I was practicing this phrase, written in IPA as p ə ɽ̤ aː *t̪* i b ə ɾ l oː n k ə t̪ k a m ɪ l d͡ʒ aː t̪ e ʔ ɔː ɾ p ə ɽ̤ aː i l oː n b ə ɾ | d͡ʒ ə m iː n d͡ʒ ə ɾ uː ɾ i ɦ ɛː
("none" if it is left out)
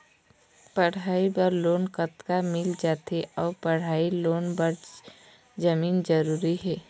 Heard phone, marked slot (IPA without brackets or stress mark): none